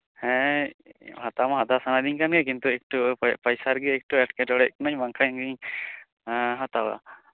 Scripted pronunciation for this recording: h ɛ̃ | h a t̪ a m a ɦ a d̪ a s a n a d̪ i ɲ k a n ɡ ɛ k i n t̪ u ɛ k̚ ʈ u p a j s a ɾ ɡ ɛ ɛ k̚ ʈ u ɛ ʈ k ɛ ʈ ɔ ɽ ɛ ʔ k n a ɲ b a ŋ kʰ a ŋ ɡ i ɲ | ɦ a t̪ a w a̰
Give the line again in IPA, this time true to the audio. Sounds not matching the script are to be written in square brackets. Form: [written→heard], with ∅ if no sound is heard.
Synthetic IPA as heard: h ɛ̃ | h a t̪ a m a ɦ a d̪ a s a n a d̪ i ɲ k a n ɡ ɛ k i n t̪ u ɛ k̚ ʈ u p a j s a ɾ ɡ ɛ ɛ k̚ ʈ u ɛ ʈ k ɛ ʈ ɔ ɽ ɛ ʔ k n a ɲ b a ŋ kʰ a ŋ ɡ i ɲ | ɦ a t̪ a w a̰

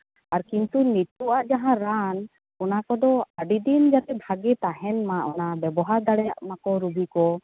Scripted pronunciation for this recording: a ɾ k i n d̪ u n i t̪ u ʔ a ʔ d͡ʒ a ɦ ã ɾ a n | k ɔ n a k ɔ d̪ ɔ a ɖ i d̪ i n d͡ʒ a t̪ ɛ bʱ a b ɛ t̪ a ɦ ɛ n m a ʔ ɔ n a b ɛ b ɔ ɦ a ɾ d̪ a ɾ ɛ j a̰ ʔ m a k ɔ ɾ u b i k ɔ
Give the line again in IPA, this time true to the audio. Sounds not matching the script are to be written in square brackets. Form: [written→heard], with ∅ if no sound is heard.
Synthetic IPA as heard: a ɾ k i n [d̪→t̪] u n i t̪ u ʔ a ʔ d͡ʒ a ɦ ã ɾ a n | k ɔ n a k ɔ d̪ ɔ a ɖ i d̪ i n d͡ʒ a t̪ ɛ bʱ a [b→ɡ] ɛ t̪ a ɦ ɛ n m a ʔ ɔ n a b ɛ b ɔ ɦ a ɾ d̪ a [ɾ→ɽ] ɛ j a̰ ʔ m a k ɔ ɾ u b i k ɔ

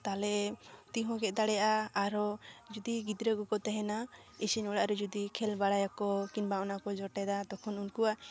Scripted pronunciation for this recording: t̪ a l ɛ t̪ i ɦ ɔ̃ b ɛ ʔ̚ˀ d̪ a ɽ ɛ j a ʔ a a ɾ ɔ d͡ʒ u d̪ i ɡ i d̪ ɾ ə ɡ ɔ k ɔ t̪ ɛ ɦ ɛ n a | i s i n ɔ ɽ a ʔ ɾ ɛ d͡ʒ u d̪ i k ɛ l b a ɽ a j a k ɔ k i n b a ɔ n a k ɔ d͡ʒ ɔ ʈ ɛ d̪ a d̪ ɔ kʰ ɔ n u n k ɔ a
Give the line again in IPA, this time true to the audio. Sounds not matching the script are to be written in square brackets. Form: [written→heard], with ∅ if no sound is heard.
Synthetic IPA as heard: t̪ a l ɛ t̪ i ɦ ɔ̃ [b→ɡ] ɛ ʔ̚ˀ d̪ a ɽ ɛ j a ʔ a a ɾ ɔ d͡ʒ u d̪ i ɡ i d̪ ɾ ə ɡ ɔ k ɔ t̪ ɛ ɦ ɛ n a | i s i n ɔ ɽ a ʔ ɾ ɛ d͡ʒ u d̪ i [k→kʰ] ɛ l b a ɽ a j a k ɔ k i n b a ɔ n a k ɔ d͡ʒ ɔ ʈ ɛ d̪ a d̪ ɔ kʰ ɔ n u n k [ɔ→u] a

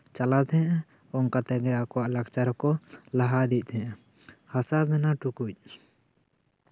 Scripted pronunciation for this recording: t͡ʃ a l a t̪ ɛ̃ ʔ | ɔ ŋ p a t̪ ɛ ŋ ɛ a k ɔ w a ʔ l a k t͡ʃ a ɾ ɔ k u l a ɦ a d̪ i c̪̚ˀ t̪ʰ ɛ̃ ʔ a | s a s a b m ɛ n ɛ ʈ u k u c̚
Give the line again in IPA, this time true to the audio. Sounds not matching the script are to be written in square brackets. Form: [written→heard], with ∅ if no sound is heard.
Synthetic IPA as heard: t͡ʃ a l a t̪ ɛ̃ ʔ | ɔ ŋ [p→k] a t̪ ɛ [ŋ→ɡ] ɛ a k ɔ w a ʔ l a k t͡ʃ a ɾ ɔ k [u→ɔ] l a ɦ a d̪ i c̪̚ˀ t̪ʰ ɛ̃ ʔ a | [s→h] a s a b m ɛ n [ɛ→a] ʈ u k u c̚

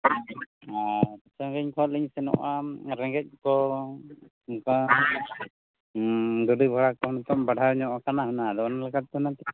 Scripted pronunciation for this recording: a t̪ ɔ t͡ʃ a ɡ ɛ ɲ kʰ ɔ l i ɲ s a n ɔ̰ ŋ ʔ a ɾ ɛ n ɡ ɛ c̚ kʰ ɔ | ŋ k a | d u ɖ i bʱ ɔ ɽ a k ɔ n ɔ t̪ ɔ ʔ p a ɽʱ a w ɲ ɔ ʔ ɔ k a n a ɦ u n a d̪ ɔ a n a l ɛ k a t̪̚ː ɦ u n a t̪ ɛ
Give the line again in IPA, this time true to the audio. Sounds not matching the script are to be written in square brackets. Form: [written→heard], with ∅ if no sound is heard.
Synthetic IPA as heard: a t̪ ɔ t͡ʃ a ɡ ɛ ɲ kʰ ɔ l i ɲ s [a→ɛ] n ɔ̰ [ŋ→∅] ʔ a ɾ ɛ [n→ŋ] ɡ ɛ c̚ [kʰ→k] ɔ | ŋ k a | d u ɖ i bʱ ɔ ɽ a k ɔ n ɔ t̪ ɔ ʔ [p→b] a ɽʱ a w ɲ ɔ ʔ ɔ k a n a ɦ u n a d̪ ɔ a n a l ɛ k a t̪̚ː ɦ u n a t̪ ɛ

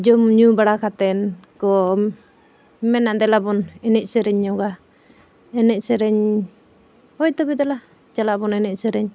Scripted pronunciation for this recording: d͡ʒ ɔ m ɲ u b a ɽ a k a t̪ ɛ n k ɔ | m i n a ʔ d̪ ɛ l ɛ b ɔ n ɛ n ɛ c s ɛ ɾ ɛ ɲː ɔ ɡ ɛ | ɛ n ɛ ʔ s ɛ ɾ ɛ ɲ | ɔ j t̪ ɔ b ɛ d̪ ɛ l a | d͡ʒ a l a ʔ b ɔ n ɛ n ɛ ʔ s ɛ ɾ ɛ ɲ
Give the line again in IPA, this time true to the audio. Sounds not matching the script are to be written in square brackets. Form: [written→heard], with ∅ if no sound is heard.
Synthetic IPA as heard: d͡ʒ ɔ m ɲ u b a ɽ a k a t̪ ɛ n k ɔ | m [i→ɛ] n a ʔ d̪ ɛ l [ɛ→a] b ɔ n ɛ n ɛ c s ɛ ɾ ɛ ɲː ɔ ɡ [ɛ→a] | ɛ n ɛ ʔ s ɛ ɾ ɛ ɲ | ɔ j t̪ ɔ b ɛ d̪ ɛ l a | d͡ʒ a l a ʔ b ɔ n ɛ n ɛ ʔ s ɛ ɾ ɛ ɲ

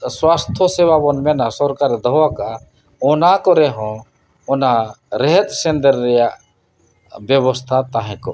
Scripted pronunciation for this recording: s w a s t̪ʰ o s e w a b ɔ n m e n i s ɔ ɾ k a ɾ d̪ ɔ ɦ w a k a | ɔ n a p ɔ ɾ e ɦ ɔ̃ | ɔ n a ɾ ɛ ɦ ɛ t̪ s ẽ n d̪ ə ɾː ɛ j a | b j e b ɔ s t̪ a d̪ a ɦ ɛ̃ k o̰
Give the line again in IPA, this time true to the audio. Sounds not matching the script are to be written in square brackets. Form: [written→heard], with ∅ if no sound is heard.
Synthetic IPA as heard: s w a s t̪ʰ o s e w a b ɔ n m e n [i→a] s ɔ ɾ k a ɾ d̪ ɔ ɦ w a k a | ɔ n a [p→k] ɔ ɾ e ɦ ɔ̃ | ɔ n a ɾ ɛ ɦ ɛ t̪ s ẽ n d̪ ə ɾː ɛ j a | b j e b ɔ s [t̪→t̪ʰ] a [d̪→t̪] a ɦ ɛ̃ k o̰

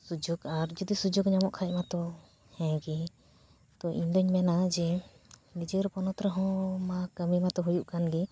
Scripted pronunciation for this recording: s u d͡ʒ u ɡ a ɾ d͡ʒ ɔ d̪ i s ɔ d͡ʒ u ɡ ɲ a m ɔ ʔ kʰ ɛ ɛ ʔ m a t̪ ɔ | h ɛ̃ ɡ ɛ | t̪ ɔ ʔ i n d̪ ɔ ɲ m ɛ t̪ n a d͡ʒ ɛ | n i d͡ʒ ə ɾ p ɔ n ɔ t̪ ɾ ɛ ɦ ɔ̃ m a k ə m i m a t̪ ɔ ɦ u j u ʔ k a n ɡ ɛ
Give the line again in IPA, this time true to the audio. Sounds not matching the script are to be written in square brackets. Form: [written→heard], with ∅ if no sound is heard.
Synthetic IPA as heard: s u d͡ʒ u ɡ a ɾ d͡ʒ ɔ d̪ i s [ɔ→u] d͡ʒ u ɡ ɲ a m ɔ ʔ kʰ [ɛ→a] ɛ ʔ m a t̪ ɔ | h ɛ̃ ɡ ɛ | t̪ ɔ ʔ i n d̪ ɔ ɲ m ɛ [t̪→∅] n a d͡ʒ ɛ | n i d͡ʒ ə ɾ p ɔ n ɔ t̪ ɾ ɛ ɦ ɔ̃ m a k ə m i m a t̪ ɔ ɦ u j u ʔ k a n ɡ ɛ

